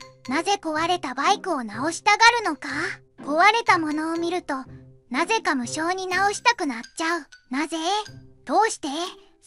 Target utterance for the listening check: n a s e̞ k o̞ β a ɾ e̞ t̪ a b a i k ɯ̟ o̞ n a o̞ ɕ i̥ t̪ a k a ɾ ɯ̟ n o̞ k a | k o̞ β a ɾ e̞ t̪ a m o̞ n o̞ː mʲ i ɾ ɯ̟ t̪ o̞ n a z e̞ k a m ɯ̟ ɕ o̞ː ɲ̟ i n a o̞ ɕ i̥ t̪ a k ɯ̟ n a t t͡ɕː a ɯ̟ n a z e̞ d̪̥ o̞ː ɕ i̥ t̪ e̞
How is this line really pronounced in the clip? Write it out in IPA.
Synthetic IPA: n a z e̞ k o̞ β a ɾ e̞ t̪ a b a i k ɯ̟ o̞ n a o̞ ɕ i̥ t̪ a ɡ a ɾ ɯ̟ n o̞ k a | k o̞ β a ɾ e̞ t̪ a m o̞ n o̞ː mʲ i ɾ ɯ̟ t̪ o̞ n a z e̞ k a m ɯ̟ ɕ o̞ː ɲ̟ i n a o̞ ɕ i̥ t̪ a k ɯ̟ n a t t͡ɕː a ɯ̟ n a z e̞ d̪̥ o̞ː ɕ i̥ t̪ e̞